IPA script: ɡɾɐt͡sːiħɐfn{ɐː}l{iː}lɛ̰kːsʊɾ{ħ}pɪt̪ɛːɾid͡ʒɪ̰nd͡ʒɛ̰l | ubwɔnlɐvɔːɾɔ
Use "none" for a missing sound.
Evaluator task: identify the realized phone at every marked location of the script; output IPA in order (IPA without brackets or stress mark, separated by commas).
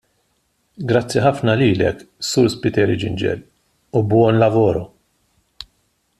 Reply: ɐ, iː, s